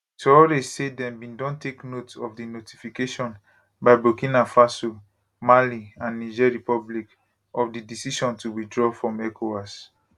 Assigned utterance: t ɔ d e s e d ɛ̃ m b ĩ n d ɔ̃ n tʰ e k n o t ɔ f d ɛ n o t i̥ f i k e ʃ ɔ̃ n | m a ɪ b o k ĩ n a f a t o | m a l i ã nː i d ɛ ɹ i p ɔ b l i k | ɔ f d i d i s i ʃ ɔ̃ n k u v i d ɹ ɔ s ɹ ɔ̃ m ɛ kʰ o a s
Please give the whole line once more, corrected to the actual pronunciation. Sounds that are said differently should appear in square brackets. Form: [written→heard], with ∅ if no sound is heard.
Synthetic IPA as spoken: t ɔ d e s e d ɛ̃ m b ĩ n d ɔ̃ n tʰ e k n o t ɔ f d [ɛ→i] n o t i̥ f i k e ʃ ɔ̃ n | [m→b] a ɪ b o k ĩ n a f a [t→s] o | m a l i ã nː i [d→d͡ʒ] ɛ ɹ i p ɔ b l i k | ɔ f d i d i s i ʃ ɔ̃ n [k→t] u [v→w] i d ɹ ɔ [s→f] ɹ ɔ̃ m ɛ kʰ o a s